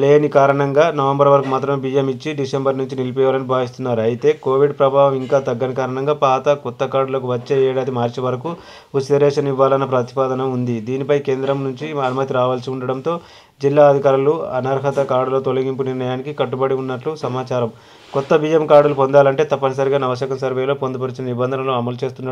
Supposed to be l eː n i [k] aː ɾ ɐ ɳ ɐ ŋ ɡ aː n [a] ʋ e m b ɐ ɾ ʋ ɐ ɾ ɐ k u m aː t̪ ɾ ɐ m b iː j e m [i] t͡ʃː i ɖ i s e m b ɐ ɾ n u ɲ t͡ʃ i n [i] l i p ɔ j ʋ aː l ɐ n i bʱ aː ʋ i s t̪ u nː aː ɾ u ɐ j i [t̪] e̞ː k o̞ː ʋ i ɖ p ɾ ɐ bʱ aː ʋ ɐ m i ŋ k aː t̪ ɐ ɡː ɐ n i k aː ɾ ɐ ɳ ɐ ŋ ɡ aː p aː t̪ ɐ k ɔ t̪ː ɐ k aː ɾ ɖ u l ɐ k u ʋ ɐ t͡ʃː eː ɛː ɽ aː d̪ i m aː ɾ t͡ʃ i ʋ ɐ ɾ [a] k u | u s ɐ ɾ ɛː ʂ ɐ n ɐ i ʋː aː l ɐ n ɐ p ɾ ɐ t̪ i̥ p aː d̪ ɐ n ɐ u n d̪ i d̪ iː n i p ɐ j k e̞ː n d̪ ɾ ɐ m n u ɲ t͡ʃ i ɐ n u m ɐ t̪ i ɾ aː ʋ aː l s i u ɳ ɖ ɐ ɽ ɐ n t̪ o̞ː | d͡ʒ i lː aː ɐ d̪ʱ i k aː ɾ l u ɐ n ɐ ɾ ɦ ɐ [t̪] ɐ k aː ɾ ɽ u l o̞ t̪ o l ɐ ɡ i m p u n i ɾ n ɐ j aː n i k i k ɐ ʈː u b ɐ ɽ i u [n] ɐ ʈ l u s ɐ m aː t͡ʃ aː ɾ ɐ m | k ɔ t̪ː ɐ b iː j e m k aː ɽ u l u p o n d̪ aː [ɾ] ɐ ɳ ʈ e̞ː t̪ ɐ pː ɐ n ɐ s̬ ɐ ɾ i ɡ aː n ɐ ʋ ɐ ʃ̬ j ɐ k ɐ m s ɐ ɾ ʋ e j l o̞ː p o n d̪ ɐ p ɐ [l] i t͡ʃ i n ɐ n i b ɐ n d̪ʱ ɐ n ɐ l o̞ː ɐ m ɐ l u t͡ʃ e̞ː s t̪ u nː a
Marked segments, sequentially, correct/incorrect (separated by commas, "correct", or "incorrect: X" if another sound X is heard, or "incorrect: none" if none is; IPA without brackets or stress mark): correct, incorrect: ɐ, correct, correct, correct, incorrect: ɐ, correct, incorrect: nː, incorrect: l, incorrect: ɾ